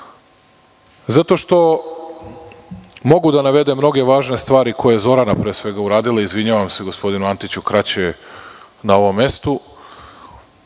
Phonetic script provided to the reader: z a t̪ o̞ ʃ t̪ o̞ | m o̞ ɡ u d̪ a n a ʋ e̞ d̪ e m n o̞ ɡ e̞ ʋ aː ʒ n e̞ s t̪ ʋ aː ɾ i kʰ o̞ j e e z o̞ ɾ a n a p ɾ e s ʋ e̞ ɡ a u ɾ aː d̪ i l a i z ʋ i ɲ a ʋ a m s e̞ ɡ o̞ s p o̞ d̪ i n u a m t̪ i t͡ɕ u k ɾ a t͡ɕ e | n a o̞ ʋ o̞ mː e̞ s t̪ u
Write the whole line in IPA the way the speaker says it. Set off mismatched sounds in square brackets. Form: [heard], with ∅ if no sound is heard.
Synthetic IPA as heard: z a t̪ o̞ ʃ t̪ o̞ | m o̞ ɡ u d̪ a n a ʋ e̞ d̪ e m n o̞ ɡ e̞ ʋ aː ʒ n e̞ s t̪ ʋ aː ɾ i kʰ o̞ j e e z o̞ ɾ a n a p ɾ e s ʋ e̞ ɡ a u ɾ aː d̪ i l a i z ʋ i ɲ a ʋ a m s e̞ ɡ o̞ s p o̞ d̪ i n u a [n] t̪ i t͡ɕ u k ɾ a t͡ɕ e | n a o̞ ʋ o̞ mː e̞ s t̪ u